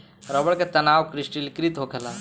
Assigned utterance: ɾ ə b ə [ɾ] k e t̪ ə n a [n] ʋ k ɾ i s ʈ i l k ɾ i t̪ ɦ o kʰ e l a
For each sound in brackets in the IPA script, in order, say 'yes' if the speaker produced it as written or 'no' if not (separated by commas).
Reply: no, no